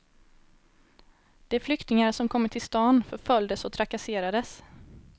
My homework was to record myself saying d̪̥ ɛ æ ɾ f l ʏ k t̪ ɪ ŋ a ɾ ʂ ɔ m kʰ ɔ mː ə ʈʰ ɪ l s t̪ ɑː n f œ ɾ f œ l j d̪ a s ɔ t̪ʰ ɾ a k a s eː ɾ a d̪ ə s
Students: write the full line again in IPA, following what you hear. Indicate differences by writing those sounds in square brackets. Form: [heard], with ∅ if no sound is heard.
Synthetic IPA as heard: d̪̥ ɛ æ ɾ f l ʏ k t̪ ɪ ŋ a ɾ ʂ ɔ m kʰ ɔ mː ə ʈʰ ɪ l s t̪ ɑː n f œ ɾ f œ l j d̪ [ə] s ɔ t̪ʰ ɾ a k a s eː ɾ a d̪ ə s